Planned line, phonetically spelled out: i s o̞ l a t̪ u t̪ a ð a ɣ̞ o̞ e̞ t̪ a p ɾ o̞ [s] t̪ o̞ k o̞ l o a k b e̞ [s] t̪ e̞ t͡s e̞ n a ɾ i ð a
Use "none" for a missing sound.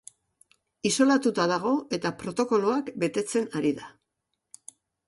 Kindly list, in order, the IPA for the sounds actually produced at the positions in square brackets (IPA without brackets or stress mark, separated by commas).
none, none